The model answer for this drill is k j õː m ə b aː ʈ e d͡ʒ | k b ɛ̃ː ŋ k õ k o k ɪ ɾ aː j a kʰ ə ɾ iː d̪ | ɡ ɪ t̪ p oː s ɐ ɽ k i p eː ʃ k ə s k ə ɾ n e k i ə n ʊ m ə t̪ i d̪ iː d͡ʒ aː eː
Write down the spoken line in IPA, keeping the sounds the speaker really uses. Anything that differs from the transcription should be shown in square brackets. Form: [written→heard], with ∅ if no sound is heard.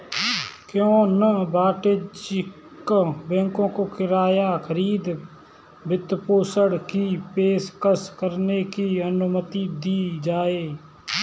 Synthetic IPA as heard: k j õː [m→n] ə b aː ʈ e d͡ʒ | k b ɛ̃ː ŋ k õ k o k ɪ ɾ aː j a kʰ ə ɾ iː d̪ | [ɡ→b] ɪ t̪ p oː s [ɐ→ə] ɽ k i p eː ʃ k ə s k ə ɾ n e k i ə n ʊ m ə t̪ i d̪ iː d͡ʒ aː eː